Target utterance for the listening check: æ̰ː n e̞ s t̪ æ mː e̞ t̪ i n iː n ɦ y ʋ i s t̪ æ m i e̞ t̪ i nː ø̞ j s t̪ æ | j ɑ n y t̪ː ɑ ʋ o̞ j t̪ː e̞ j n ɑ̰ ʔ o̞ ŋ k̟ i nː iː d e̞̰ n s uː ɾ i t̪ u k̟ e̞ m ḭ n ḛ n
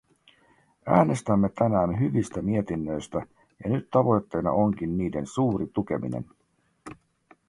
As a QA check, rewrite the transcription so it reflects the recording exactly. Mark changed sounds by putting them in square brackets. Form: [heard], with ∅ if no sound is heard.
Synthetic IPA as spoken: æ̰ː n e̞ s t̪ æ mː e̞ t̪ [æ] n [æː] n ɦ y ʋ i s t̪ æ m i e̞ t̪ i nː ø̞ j s t̪ æ | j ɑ n y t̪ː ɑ ʋ o̞ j t̪ː e̞ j n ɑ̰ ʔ o̞ ŋ k̟ i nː iː d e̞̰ n s uː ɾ i t̪ u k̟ e̞ m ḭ n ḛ n